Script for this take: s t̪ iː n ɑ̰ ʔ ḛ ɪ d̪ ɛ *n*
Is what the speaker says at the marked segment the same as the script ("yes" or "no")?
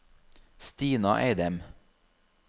no